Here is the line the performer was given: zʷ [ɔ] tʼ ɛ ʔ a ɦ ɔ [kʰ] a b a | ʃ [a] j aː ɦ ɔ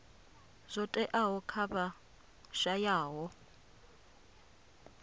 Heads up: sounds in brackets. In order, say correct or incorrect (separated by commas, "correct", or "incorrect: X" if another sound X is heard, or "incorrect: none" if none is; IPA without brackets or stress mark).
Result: correct, correct, correct